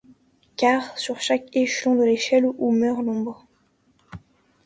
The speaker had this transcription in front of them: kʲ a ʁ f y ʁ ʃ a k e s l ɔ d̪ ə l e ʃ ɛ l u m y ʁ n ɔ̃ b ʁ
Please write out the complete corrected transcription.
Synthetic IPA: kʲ a ʁ s y ʁ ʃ a k e ʃ l ɔ̃ d̪ ə l e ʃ ɛ l u m œ ʁ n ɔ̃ b ʁ